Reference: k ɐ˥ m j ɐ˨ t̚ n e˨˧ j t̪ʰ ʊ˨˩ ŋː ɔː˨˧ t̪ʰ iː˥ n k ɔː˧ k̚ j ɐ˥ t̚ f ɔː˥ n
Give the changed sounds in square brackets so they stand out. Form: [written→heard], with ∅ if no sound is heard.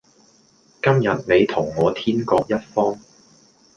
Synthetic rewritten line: k ɐ˥ m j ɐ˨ t̚ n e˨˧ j t̪ʰ ʊ˨˩ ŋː ɔː˨˧ t̪ʰ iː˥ n k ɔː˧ k̚ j ɐ˥ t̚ f ɔː˥ [n→ŋ]